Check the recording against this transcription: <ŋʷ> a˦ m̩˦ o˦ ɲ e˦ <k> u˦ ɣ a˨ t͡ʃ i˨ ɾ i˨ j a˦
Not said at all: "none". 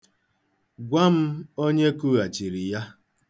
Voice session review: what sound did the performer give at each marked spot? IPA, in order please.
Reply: ɡʷ, k

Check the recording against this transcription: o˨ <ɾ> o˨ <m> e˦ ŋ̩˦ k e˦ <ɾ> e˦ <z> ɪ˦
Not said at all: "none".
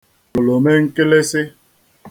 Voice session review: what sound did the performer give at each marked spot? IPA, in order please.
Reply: l, m, l, s

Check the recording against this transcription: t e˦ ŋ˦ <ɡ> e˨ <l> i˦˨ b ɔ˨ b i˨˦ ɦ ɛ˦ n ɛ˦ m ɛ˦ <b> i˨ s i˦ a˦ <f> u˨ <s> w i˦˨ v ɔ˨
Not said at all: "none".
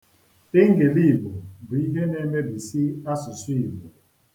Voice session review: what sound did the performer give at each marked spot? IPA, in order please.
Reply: ɡ, l, b, s, s

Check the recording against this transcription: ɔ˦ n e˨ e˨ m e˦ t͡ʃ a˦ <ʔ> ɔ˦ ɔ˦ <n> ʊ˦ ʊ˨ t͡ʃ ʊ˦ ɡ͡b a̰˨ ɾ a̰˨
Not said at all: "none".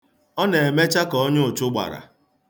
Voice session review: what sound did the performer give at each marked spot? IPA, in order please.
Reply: k, ɲ

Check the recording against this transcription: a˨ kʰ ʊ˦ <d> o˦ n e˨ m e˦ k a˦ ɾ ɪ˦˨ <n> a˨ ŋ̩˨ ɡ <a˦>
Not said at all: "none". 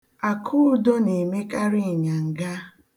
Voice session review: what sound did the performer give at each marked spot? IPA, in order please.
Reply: d, ɲ, a˦

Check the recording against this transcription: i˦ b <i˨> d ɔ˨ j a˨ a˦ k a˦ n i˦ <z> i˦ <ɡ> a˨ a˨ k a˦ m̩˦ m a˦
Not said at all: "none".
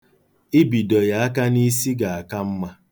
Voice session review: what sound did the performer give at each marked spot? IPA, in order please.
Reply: i˨, s, ɡ

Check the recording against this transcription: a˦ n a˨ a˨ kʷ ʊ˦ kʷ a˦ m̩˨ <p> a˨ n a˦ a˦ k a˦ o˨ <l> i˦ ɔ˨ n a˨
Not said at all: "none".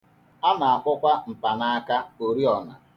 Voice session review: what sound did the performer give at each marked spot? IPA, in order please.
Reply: p, ɾ

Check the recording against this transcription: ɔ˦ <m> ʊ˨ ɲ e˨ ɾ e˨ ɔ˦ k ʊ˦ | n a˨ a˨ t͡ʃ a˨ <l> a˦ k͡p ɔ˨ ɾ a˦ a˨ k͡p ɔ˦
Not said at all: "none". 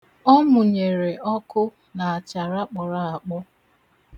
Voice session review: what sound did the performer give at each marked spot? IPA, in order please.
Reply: m, ɾ

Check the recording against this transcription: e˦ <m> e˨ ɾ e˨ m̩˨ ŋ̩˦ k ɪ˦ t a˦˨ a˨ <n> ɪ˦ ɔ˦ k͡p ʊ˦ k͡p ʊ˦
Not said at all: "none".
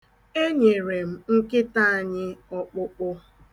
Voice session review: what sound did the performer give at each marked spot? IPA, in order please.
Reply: ɲ, ɲ

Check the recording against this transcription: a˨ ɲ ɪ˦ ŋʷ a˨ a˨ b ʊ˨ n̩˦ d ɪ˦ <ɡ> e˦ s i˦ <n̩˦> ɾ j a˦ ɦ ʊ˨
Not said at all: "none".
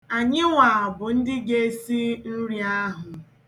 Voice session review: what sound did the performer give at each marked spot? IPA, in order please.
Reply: ɡ, n̩˦

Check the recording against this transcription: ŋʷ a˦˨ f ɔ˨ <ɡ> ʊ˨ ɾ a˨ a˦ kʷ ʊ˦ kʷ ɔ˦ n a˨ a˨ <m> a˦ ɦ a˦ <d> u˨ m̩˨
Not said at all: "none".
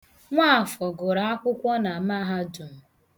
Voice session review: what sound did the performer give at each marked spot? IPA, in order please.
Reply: ɡ, m, d

